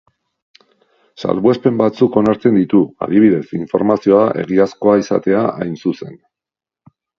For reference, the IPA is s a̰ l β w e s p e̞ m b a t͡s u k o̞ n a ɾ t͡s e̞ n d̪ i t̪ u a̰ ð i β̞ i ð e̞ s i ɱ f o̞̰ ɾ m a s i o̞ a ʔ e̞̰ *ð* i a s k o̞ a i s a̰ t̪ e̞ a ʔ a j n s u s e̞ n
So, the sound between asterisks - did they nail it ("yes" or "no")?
no